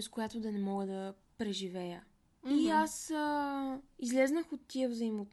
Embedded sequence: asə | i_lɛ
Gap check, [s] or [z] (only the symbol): z